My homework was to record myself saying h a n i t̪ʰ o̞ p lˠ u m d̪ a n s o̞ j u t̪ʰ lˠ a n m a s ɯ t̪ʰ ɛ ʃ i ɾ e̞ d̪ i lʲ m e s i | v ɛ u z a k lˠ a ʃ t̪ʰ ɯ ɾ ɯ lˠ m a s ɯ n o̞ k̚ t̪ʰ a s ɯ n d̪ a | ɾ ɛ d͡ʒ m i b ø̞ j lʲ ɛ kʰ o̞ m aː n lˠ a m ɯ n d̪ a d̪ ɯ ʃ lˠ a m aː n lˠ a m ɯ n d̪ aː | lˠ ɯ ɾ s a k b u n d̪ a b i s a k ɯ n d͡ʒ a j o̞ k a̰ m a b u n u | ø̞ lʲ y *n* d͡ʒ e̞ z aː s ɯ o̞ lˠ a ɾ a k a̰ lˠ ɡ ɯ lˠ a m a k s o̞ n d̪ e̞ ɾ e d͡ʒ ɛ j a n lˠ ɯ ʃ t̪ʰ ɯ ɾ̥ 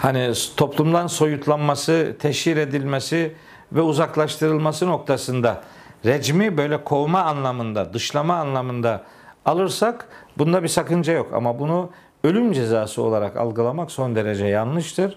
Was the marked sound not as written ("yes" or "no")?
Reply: yes